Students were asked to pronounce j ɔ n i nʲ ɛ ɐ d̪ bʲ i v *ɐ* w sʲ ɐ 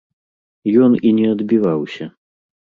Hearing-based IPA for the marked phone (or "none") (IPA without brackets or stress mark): a